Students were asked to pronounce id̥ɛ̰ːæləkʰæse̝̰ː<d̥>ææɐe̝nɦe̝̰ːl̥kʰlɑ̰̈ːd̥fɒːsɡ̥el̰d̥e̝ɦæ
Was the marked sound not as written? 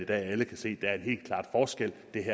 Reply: no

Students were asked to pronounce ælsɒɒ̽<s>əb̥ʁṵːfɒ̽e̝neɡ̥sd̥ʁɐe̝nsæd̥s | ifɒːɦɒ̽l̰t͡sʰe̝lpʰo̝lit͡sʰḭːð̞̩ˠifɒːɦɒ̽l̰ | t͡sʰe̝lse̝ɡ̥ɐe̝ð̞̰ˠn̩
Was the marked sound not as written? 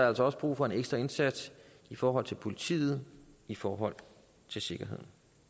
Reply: no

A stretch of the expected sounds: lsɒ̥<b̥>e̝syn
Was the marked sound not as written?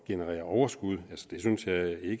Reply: yes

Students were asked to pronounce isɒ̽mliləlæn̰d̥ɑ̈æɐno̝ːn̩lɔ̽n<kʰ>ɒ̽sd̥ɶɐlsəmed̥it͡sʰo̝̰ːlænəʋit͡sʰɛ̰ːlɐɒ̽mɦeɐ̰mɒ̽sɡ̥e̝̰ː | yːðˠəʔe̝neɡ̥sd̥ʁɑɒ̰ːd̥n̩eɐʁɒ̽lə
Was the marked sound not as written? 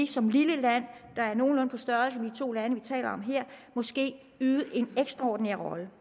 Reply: yes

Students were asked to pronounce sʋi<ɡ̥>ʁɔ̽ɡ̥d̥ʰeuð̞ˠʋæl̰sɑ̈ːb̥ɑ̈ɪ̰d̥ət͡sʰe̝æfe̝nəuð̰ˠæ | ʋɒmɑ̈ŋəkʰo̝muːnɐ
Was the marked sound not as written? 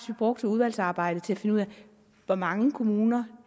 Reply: yes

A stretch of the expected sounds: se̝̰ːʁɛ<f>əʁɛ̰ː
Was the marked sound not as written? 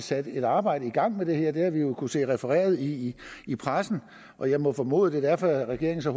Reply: no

